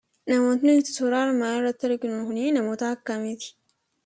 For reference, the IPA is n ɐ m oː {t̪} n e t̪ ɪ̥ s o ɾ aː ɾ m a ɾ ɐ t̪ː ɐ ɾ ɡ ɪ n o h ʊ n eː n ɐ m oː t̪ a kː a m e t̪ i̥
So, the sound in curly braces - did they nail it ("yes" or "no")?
yes